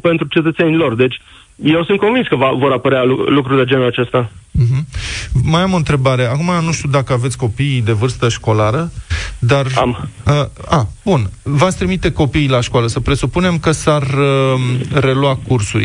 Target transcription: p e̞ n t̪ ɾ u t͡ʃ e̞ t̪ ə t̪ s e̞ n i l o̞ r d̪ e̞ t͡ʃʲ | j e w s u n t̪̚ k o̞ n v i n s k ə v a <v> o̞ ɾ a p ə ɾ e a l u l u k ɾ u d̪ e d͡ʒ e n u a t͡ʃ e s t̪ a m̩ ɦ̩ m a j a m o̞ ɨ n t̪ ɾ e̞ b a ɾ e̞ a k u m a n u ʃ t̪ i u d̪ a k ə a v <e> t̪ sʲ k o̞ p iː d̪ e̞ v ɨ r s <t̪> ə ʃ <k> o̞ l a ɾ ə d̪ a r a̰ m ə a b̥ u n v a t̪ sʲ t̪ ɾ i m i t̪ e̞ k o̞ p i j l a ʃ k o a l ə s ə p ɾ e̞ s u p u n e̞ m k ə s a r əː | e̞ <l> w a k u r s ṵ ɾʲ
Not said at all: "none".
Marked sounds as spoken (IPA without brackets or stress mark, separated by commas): v, e, t̪, k, l